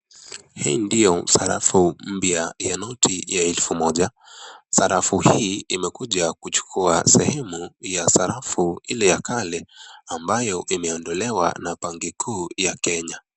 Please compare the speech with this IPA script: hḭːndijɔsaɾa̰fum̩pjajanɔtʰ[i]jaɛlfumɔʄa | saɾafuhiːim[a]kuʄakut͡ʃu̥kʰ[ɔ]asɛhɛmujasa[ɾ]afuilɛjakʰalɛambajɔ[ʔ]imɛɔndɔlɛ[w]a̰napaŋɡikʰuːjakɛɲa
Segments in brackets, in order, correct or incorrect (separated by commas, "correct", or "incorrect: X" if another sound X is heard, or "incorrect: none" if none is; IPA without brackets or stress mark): correct, incorrect: ɛ, incorrect: u, correct, correct, correct